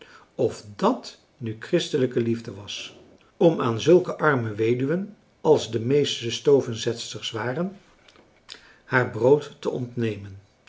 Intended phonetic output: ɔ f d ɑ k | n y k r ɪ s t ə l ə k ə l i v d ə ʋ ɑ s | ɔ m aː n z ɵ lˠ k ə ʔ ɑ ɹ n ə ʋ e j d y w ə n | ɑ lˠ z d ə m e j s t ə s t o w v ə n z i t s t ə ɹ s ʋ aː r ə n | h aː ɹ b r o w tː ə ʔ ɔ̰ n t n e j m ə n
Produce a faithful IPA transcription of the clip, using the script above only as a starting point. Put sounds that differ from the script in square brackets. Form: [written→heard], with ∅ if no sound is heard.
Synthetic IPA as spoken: ɔ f d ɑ [k→t] | n y k r ɪ s t ə l ə k ə l i v d ə ʋ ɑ s | ɔ m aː n z ɵ lˠ k ə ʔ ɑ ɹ [n→m] ə ʋ e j d y [w→ʋ] ə n | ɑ lˠ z d ə m e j s t ə s t o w v ə n z [i→ɛ] t s t ə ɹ s ʋ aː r ə n | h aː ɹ b r o w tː ə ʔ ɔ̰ n t n e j m ə n

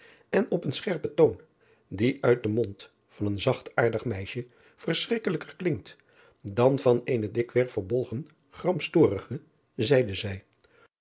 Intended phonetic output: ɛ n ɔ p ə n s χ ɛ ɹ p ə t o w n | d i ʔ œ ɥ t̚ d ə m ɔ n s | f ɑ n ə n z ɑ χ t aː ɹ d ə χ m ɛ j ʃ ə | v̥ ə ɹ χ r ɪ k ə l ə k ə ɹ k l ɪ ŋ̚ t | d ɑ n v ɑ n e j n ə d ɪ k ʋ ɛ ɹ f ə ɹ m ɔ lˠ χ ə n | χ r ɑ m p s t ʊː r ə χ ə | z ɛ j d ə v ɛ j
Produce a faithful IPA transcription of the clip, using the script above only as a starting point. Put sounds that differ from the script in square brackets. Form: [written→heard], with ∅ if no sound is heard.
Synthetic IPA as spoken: ɛ n ɔ p ə n s χ ɛ ɹ p ə t o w n | d i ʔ œ ɥ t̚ d ə m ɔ n [s→t] | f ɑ n ə n z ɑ χ t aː ɹ d ə χ m ɛ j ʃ ə | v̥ ə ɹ [χ→s] r ɪ k ə l ə k ə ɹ k l ɪ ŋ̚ t | d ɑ n v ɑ n e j n ə d ɪ k ʋ ɛ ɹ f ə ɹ [m→b] ɔ lˠ χ ə n | χ r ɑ m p s t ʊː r ə χ ə | z ɛ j d ə [v→z] ɛ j

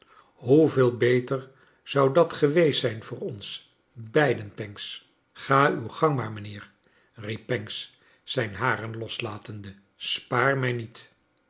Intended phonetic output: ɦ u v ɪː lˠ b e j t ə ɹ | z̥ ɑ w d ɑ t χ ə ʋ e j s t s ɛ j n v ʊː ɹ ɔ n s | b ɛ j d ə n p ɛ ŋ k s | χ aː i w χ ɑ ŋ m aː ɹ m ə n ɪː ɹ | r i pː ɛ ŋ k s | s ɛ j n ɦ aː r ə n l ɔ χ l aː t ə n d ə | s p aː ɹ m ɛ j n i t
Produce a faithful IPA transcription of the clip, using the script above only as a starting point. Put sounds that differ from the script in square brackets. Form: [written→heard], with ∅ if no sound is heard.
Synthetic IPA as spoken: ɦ u v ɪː lˠ b e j t ə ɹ | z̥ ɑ w d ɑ t χ ə ʋ e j s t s ɛ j n v ʊː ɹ ɔ n s | b ɛ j d ə n p ɛ ŋ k s | χ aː [i→y] w χ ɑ ŋ m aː ɹ m ə n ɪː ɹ | r i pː ɛ ŋ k s | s ɛ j n ɦ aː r ə n l ɔ [χ→s] l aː t ə n d ə | s p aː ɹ m ɛ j n i t

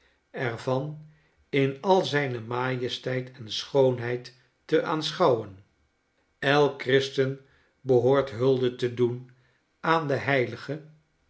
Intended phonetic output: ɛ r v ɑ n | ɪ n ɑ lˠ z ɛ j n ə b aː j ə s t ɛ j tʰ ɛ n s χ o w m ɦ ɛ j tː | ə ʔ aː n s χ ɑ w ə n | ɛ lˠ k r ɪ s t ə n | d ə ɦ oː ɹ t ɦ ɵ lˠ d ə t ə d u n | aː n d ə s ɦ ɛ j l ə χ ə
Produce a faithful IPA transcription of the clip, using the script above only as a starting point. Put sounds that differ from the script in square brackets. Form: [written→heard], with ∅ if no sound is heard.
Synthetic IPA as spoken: ɛ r v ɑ n | ɪ n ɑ lˠ z ɛ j n ə [b→m] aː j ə s t ɛ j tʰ ɛ n s χ o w [m→n] ɦ ɛ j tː | ə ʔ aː n s χ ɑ w ə n | ɛ lˠ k r ɪ s t ə n | [d→b] ə ɦ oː ɹ t ɦ ɵ lˠ d ə t ə d u n | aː n d ə [s→∅] ɦ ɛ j l ə χ ə

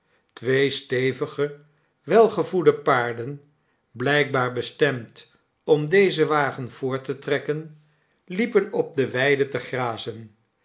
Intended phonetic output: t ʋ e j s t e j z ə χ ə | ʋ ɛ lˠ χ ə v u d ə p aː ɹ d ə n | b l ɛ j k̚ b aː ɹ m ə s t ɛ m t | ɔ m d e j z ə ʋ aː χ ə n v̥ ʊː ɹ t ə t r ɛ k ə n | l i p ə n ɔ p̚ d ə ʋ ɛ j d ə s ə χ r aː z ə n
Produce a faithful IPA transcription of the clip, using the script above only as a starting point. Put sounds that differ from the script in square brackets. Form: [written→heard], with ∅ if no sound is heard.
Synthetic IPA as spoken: t ʋ e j s t e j [z→v] ə χ ə | ʋ ɛ lˠ χ ə v u d ə p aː ɹ d ə n | b l ɛ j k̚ b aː ɹ [m→b] ə s t ɛ m t | ɔ m d e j z ə ʋ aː χ ə n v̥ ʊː ɹ t ə t r ɛ k ə n | l i p ə n ɔ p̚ d ə ʋ ɛ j d ə [s→t] ə χ r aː z ə n

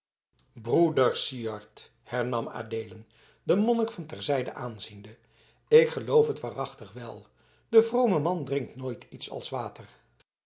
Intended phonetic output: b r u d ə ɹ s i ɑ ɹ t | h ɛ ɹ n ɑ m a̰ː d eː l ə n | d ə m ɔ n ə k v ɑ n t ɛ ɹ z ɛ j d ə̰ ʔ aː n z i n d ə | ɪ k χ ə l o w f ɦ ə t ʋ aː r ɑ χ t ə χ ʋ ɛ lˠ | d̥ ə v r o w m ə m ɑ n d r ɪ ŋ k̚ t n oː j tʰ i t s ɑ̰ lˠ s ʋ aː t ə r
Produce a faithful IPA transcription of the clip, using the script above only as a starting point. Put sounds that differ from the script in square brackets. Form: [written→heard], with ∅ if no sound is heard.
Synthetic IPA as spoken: b r u d ə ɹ s i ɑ ɹ t | h ɛ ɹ n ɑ m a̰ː d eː l ə n | d ə m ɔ n ə k [v→f] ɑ n t ɛ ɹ z ɛ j d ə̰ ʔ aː n z i n d ə | ɪ k χ ə l o w f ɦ ə t ʋ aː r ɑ χ t ə χ ʋ ɛ lˠ | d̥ ə v r o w m ə m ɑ n d r ɪ ŋ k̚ t n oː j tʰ i t s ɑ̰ lˠ s ʋ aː t ə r

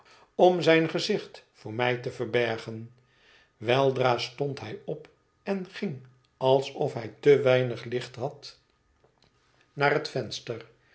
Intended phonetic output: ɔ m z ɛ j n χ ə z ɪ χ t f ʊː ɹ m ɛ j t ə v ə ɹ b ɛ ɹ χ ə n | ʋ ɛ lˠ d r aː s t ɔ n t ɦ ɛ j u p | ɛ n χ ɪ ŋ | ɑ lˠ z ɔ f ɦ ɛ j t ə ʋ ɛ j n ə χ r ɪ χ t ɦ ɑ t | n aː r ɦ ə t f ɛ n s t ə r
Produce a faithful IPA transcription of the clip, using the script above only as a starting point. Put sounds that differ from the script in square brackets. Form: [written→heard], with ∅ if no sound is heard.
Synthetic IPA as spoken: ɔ m z ɛ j n χ ə z ɪ χ t f ʊː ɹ m ɛ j t ə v ə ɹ b ɛ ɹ χ ə n | ʋ ɛ lˠ d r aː s t ɔ n t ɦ ɛ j [u→ɔ] p | ɛ n χ ɪ ŋ | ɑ lˠ [z→s] ɔ f ɦ ɛ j t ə ʋ ɛ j n ə χ [r→l] ɪ χ t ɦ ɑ t | n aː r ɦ ə t f ɛ n s t ə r

